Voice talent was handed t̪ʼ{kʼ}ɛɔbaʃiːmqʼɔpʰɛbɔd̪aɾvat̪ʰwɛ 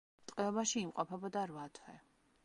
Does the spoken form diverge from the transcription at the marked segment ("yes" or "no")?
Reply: yes